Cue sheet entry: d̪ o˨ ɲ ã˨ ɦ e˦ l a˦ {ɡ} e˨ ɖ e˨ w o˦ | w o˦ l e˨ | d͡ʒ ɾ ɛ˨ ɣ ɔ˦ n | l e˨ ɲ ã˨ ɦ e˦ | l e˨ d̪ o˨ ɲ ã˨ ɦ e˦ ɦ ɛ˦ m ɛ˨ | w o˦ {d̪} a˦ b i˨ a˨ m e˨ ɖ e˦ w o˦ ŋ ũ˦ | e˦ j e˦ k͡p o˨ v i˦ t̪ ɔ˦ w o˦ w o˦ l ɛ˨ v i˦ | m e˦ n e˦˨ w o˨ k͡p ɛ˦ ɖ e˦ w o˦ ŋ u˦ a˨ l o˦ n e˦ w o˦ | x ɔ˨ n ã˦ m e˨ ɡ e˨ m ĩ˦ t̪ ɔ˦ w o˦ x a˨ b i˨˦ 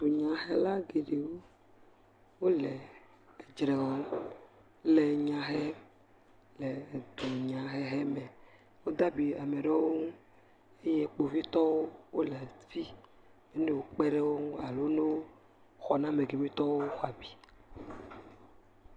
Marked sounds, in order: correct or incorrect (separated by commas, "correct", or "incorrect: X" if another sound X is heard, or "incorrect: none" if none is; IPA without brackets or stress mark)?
correct, correct